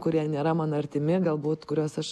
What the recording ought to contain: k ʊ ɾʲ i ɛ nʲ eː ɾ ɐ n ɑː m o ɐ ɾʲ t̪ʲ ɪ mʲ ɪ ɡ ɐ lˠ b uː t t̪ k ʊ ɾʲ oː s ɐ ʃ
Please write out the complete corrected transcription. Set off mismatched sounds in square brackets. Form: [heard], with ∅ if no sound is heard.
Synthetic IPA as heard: k ʊ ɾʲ i ɛ nʲ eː ɾ ɐ [m] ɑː [n] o ɐ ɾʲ t̪ʲ ɪ mʲ ɪ ɡ ɐ lˠ b uː t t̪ k ʊ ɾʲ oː s ɐ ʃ